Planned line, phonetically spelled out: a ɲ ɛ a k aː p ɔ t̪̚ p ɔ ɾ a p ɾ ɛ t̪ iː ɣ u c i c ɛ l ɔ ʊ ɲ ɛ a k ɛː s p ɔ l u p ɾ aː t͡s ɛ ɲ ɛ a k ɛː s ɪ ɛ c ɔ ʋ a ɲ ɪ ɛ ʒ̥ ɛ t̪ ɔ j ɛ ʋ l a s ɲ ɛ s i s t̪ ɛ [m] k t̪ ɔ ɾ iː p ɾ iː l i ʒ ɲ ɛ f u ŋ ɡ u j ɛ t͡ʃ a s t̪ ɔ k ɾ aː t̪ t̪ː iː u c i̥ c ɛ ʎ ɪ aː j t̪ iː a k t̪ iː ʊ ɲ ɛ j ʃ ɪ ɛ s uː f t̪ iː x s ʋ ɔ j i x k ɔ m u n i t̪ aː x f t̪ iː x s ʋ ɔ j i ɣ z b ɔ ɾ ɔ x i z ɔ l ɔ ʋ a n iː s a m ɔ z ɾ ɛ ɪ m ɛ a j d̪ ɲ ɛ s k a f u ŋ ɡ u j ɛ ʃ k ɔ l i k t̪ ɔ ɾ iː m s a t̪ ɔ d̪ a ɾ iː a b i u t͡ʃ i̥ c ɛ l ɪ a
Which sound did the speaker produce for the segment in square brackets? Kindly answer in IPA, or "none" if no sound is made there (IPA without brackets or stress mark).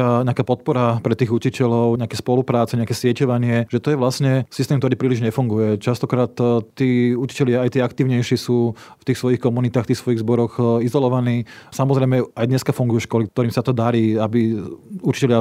m